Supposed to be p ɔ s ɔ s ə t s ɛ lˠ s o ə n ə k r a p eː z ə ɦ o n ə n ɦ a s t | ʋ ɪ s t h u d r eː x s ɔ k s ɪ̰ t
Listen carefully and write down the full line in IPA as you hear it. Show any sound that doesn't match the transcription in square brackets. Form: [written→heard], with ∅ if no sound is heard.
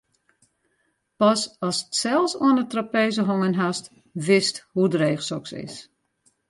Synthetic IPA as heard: p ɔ s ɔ s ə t s ɛ lˠ s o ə n ə [k→t] r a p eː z ə ɦ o [n→ŋ] ə n ɦ a s t | ʋ ɪ s t h u d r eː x s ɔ k s ɪ̰ [t→s]